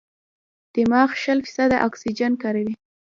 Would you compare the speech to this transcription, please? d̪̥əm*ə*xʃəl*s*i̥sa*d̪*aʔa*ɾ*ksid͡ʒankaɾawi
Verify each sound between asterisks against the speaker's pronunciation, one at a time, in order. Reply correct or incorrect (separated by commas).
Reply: incorrect, incorrect, correct, incorrect